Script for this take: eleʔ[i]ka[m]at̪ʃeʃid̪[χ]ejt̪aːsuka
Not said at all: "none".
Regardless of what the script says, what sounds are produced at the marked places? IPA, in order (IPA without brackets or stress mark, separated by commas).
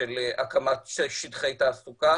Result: a, m, χ